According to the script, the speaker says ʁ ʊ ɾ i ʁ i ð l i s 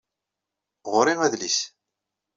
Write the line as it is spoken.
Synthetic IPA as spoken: ʁ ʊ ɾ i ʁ æ ð l i s

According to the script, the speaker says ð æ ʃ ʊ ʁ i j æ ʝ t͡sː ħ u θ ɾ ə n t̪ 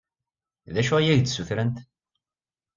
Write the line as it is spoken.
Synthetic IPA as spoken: ð æ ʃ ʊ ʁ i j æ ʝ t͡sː s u θ ɾ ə n t̪

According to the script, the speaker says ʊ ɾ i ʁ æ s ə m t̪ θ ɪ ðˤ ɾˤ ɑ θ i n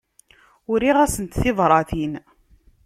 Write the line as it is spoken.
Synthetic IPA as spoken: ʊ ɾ i ʁ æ s ə n t̪ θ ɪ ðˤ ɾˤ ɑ θ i n

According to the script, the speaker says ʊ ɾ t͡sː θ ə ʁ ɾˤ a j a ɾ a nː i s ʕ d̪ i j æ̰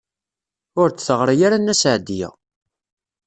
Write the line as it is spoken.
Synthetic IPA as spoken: ʊ ɾ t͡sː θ ə ʁ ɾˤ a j a ɾ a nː æ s ʕ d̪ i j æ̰

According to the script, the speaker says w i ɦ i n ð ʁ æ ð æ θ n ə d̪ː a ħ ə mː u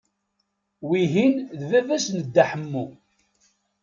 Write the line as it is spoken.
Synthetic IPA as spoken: w i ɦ i n ð v æ v æ s n ə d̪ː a ħ ə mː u

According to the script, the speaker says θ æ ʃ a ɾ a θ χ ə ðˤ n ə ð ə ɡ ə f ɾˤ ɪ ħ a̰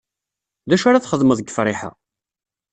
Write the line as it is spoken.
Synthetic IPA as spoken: ð æ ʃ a ɾ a θ χ ə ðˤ m ə ð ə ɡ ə f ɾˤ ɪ ħ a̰

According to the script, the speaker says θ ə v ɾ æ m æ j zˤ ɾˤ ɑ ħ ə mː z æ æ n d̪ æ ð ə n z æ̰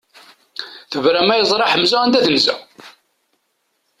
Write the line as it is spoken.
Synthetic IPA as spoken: θ ə v ɾ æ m æ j zˤ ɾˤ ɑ ħ ə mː z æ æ n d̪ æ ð ə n z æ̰

